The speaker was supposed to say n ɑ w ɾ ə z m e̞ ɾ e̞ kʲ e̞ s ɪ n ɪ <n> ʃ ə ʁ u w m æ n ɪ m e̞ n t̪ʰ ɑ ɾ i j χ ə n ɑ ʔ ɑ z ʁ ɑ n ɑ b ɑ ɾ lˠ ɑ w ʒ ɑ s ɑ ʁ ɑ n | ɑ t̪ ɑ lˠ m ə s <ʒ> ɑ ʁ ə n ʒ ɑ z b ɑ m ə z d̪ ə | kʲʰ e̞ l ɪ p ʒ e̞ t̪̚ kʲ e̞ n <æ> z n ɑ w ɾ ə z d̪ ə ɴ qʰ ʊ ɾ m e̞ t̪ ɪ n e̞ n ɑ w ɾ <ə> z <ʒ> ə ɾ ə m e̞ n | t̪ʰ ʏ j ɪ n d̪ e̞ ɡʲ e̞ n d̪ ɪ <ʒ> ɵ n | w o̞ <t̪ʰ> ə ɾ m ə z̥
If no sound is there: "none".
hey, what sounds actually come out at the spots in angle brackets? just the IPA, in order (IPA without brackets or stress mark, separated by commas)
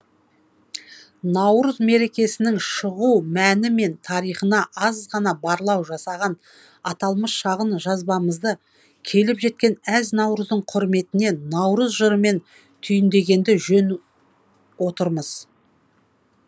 ŋ, ʃ, æ, ə, ʒ, ʒ, t̪